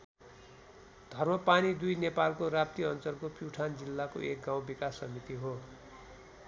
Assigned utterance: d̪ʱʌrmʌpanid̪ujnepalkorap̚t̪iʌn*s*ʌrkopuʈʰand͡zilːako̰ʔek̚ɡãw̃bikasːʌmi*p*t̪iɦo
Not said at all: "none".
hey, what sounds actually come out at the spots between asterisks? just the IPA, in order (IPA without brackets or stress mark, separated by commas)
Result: t͡s, none